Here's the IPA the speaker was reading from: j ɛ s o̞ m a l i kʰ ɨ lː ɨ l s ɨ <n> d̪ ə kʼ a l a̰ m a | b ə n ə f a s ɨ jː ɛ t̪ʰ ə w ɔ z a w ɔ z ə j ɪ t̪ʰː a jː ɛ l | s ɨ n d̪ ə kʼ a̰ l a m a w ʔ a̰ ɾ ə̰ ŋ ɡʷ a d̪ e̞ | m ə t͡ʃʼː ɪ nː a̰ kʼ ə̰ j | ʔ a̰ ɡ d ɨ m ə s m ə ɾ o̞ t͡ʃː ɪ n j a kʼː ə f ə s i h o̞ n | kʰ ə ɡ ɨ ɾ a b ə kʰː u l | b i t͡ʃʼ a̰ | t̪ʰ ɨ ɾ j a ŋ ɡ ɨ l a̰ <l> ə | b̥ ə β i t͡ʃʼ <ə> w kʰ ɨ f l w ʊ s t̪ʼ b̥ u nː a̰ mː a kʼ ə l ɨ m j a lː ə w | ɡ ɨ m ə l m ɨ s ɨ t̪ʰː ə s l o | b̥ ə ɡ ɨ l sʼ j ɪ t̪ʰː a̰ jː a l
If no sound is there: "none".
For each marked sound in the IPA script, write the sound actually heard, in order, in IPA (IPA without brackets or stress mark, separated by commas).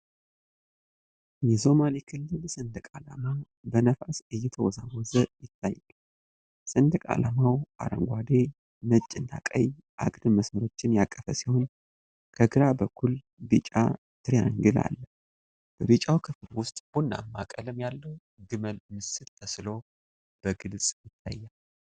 n, lː, a